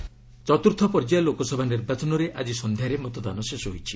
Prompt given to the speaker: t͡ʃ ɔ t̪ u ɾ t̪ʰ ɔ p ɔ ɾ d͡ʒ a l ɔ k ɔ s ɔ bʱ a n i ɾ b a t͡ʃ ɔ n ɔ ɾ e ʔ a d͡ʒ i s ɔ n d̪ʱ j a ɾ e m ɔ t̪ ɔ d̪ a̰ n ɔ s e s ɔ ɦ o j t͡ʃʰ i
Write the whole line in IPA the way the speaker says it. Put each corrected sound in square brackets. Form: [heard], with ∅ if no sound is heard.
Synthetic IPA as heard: t͡ʃ ɔ t̪ u ɾ t̪ʰ ɔ p ɔ ɾ d͡ʒ a l [o] k ɔ s ɔ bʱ a n i ɾ b a t͡ʃ ɔ n ɔ ɾ e ʔ a d͡ʒ i s ɔ n d̪ʱ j a ɾ e m ɔ t̪ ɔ d̪ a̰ n ɔ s e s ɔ ɦ o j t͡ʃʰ i

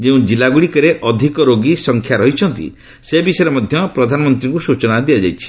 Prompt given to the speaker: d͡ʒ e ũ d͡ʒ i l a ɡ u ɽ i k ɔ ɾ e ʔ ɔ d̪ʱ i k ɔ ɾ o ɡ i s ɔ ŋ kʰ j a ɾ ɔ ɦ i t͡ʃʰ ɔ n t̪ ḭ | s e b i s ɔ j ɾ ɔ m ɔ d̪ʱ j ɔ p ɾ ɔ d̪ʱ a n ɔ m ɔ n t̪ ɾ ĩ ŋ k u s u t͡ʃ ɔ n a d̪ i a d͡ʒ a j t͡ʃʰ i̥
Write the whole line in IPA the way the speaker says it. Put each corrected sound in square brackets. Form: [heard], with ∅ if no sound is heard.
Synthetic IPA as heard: d͡ʒ e ũ d͡ʒ i l a ɡ u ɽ i k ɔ ɾ e ʔ ɔ d̪ʱ i k ɔ ɾ o ɡ i s ɔ ŋ kʰ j a ɾ ɔ ɦ i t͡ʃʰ ɔ n t̪ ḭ | s e b i s ɔ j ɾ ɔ m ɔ d̪ʱ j ɔ p ɾ ɔ d̪ʱ a n ɔ m ɔ n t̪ ɾ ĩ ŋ k u s u t͡ʃ ɔ n a d̪ i a d͡ʒ a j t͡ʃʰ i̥

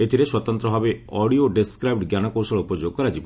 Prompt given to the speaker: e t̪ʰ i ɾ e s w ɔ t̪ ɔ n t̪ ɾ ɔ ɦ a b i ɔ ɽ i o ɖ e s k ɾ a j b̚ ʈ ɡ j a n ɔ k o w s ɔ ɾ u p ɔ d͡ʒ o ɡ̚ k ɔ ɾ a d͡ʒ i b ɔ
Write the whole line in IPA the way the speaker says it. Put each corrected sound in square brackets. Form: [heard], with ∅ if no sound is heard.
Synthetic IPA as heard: e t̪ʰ i ɾ e s w ɔ t̪ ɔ n t̪ ɾ ɔ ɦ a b [e] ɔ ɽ i o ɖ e s k ɾ a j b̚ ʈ ɡ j a n ɔ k o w s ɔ [ɭ] u p ɔ d͡ʒ o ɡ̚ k ɔ ɾ a d͡ʒ i b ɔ

